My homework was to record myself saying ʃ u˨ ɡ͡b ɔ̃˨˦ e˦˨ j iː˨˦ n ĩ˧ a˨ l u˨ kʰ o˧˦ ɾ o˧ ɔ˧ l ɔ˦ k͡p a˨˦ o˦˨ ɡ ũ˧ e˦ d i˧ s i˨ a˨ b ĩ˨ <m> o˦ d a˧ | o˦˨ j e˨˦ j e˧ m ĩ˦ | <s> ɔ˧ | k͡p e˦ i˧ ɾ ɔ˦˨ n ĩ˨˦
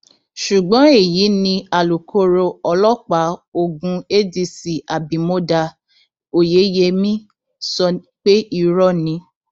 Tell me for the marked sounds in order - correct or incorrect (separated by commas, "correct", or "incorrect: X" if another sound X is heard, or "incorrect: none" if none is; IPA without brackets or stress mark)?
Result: correct, correct